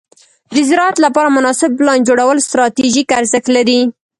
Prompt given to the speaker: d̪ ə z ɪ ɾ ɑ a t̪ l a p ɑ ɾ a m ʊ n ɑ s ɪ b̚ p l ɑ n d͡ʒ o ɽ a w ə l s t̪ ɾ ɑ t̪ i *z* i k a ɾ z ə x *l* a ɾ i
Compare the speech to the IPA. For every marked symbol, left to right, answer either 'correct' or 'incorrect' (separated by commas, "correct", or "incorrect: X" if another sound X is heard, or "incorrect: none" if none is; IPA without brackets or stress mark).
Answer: incorrect: ʒ, correct